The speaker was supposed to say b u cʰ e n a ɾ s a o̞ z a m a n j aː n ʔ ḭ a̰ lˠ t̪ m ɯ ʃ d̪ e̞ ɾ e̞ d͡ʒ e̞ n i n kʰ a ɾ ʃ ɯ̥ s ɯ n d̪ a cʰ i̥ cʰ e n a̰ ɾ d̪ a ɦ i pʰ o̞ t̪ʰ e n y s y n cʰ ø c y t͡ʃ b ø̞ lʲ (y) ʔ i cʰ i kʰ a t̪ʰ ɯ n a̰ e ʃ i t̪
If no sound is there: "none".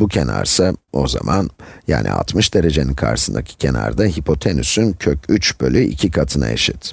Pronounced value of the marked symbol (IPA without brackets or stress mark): y